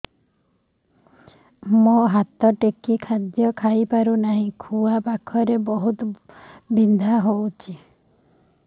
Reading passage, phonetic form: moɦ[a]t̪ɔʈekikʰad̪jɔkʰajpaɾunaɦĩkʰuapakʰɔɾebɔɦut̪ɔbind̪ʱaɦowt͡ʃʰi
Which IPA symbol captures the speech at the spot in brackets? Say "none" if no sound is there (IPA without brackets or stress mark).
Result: a